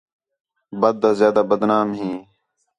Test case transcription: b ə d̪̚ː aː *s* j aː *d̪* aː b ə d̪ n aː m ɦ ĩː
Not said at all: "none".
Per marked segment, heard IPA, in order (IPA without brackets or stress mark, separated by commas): z, d̪